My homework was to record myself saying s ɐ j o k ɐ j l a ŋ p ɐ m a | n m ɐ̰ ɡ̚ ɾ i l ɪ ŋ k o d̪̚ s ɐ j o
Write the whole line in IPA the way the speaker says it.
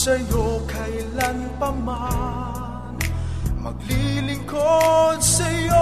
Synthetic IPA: s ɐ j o k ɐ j l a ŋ p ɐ m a | n m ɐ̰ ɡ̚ l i l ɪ ŋ k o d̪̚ s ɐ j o